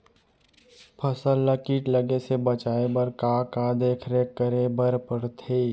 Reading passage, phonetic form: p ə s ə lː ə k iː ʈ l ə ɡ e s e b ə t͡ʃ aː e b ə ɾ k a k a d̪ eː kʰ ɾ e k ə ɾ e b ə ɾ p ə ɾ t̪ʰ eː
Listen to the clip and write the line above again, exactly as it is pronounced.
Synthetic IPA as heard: pʰ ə s ə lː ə k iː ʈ l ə ɡ e s e b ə t͡ʃ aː e b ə ɾ k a k a d̪ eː kʰ ɾ e k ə ɾ e b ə ɾ p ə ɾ t̪ʰ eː